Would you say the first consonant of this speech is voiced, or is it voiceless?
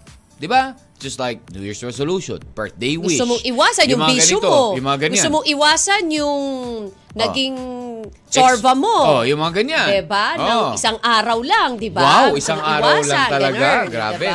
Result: voiced